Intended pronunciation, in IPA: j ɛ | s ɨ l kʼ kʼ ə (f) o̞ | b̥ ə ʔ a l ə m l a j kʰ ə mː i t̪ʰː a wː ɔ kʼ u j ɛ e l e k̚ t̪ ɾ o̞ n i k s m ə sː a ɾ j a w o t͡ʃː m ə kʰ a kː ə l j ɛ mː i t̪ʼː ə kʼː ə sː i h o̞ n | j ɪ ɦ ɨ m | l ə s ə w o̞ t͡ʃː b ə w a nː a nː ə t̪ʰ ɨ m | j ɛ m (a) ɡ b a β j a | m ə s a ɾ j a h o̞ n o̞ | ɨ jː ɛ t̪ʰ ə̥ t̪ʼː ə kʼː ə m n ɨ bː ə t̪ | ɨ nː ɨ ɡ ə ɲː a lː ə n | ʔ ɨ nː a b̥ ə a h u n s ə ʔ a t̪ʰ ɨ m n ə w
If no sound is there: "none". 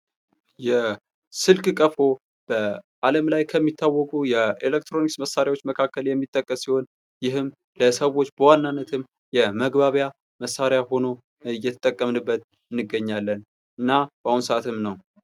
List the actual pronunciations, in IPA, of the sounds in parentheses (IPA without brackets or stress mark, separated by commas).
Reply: f, ə